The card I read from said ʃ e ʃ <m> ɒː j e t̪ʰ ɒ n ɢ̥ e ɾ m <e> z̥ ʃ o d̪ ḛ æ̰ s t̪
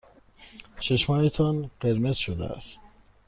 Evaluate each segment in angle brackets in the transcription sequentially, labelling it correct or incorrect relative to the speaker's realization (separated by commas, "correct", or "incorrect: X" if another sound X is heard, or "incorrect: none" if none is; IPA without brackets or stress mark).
correct, correct